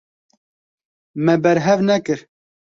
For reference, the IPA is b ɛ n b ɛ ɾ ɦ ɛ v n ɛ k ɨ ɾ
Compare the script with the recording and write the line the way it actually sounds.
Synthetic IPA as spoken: m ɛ b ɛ ɾ ɦ ɛ v n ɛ k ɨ ɾ